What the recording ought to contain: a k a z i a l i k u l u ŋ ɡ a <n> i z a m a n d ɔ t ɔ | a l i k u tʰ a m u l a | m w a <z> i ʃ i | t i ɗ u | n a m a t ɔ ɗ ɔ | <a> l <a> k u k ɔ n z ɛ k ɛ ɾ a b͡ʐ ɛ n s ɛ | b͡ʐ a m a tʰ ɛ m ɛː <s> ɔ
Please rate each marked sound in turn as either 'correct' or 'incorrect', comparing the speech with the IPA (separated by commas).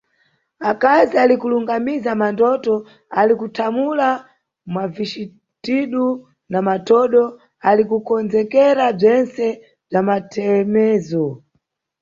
incorrect, incorrect, correct, incorrect, incorrect